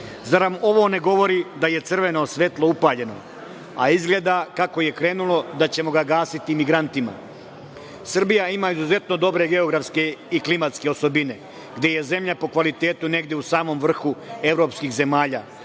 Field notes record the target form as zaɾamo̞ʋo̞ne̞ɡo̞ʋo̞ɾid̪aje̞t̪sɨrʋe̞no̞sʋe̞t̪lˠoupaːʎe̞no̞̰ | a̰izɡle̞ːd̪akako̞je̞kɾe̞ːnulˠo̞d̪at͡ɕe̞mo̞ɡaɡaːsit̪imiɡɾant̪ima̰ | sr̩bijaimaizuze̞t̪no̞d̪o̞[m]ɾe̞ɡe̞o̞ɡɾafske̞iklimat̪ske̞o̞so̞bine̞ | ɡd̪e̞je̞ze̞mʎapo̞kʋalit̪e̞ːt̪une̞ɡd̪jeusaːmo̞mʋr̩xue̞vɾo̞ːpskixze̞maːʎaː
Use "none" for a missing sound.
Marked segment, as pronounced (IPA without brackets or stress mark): b